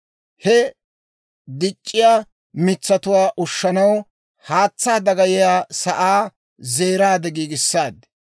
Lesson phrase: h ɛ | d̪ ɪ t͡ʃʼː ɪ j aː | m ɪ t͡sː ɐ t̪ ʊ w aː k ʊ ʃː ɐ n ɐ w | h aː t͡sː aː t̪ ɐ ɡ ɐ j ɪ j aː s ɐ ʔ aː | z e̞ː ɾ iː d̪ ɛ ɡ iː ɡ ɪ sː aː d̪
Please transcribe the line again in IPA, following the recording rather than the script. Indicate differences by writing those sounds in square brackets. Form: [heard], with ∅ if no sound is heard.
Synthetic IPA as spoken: h ɛ | d̪ ɪ t͡ʃʼː ɪ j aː | m ɪ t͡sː ɐ t̪ ʊ w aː [ʔ] ʊ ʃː ɐ n ɐ w | h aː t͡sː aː [d̪] ɐ ɡ ɐ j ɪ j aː s ɐ ʔ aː | z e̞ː ɾ [aː] d̪ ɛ ɡ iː ɡ ɪ sː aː d̪